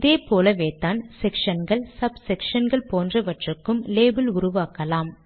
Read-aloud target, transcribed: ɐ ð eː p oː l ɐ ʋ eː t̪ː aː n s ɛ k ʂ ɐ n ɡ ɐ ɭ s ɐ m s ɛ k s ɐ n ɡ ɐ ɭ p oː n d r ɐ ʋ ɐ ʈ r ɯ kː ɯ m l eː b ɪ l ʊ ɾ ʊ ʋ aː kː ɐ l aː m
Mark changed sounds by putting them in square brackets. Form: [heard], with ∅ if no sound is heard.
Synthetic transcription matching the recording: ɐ ð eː p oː l ɐ ʋ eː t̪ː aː n s ɛ k ʂ ɐ n ɡ ɐ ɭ s ɐ [b] s ɛ k [ʂ] ɐ n ɡ ɐ ɭ p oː n d r ɐ ʋ ɐ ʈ r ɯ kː ɯ m l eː b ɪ l ʊ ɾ ʊ ʋ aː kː ɐ l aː m